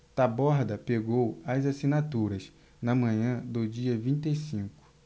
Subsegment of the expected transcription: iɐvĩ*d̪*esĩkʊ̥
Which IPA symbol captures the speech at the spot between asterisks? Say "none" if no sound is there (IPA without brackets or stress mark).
t̪